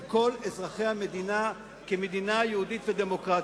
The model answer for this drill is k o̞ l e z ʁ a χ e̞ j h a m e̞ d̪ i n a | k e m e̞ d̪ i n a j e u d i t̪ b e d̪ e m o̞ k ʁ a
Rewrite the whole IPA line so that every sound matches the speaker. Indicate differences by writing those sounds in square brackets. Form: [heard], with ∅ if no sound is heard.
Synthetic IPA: k o̞ l e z ʁ a χ e̞ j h a m e̞ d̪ i n a | k e m e̞ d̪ i n a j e u d i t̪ [v] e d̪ e m o̞ k ʁ a